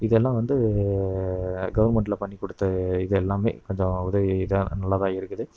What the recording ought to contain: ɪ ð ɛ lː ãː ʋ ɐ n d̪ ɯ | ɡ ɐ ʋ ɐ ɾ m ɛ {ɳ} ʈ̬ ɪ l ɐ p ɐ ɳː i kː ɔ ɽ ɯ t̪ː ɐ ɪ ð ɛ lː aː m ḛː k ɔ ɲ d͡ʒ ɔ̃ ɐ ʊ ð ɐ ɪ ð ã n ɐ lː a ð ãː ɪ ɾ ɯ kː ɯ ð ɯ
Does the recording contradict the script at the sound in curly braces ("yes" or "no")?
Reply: no